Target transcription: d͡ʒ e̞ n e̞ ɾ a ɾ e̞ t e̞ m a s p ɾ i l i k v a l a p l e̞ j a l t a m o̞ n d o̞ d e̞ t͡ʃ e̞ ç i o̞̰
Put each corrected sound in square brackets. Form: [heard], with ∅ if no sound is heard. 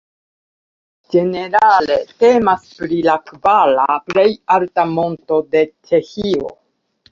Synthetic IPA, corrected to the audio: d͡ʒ e̞ n e̞ ɾ a [l] e̞ t e̞ m a s p ɾ i l [a] k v a l a p l e̞ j a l t a m o̞ n [t] o̞ d e̞ t͡ʃ e̞ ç i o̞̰

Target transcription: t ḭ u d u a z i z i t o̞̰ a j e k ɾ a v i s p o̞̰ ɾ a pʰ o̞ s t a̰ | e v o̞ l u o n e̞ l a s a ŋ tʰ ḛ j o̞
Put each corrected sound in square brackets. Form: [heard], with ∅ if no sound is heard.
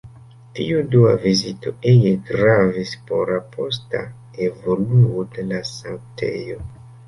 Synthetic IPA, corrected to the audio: t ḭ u d u a [v] i z i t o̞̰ [e] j e [ɡ] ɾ a v i s p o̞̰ ɾ a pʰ o̞ s t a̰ | e v o̞ l u o [d] e̞ l a s a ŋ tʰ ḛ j o̞

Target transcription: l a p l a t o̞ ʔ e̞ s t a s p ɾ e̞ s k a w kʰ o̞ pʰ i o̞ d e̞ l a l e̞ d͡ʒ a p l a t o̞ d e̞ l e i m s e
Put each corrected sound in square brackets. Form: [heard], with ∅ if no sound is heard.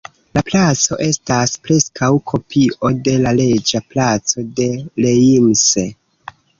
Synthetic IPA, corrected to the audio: l a p l a [t͡s] o̞ ʔ e̞ s t a s p ɾ e̞ s k a w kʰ o̞ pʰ i o̞ d e̞ l a l e̞ d͡ʒ a p l a [t͡s] o̞ d e̞ l e i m s e

